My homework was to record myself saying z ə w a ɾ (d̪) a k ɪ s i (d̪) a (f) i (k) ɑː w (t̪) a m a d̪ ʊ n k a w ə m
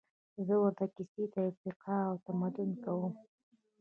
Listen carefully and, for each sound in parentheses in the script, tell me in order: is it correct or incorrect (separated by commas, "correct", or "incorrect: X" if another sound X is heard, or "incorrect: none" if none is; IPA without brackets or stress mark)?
incorrect: t̪, incorrect: t̪, correct, incorrect: q, correct